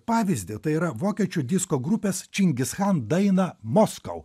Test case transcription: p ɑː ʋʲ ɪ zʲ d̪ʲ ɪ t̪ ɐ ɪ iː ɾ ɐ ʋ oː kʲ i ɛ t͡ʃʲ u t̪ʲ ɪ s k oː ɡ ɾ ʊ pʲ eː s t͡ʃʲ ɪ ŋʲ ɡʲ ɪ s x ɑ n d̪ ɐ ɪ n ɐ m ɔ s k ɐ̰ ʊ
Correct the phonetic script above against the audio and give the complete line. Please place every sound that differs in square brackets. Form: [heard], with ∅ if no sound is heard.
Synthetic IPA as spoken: p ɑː ʋʲ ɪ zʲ d̪ʲ ɪ t̪ ɐ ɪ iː ɾ ɐ ʋ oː kʲ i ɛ t͡ʃʲ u [d̪ʲ] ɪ s k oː ɡ ɾ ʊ pʲ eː s t͡ʃʲ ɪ ŋʲ ɡʲ ɪ s x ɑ n d̪ ɐ ɪ n ɐ m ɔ s k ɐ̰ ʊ